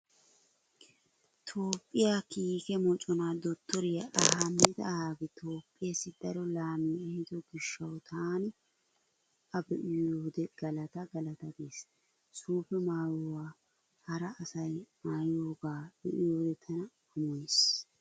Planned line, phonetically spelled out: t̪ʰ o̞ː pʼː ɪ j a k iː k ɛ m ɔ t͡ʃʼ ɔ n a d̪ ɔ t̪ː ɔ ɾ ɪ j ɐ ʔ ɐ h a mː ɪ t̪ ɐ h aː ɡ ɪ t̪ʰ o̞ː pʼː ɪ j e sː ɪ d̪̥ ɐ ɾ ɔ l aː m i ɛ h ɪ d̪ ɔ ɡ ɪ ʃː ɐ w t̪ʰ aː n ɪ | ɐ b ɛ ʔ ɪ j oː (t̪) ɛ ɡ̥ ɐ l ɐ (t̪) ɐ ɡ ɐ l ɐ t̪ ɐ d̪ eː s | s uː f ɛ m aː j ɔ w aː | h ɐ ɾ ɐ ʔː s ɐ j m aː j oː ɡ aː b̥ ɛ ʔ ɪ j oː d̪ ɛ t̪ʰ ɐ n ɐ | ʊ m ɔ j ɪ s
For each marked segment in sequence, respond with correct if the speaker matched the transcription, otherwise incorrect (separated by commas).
incorrect, correct